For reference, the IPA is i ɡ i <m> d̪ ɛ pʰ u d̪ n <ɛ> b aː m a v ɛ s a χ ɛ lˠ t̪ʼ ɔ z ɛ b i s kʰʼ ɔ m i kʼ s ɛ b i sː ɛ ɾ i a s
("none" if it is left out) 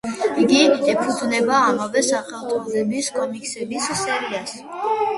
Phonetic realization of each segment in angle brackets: none, ɛ

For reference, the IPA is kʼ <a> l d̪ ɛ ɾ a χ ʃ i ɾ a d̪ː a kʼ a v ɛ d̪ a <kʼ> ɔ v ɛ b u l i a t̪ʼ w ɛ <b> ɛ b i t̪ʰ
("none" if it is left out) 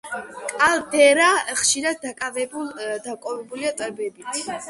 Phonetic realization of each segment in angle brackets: a, kʼ, b

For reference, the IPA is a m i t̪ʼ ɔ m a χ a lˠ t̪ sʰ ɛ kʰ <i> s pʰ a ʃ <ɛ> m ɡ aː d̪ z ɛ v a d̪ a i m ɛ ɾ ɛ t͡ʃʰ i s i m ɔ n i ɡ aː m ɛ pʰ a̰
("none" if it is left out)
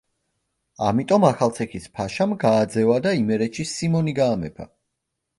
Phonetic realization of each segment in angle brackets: i, a

